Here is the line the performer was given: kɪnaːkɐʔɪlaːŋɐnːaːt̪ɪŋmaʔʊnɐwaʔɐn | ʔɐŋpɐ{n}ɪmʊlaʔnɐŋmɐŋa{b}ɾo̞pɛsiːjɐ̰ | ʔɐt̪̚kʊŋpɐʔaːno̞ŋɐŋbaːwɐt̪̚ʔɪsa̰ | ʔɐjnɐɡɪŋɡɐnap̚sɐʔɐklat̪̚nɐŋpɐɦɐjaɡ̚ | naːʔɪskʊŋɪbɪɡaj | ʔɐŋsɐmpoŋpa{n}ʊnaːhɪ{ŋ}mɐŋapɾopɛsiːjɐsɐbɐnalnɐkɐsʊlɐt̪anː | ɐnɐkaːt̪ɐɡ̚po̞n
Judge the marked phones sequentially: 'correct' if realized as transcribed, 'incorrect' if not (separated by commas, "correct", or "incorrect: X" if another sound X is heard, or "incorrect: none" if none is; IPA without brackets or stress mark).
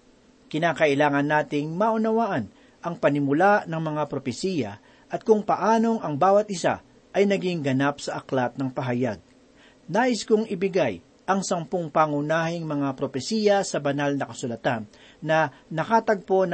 correct, incorrect: p, incorrect: ŋ, correct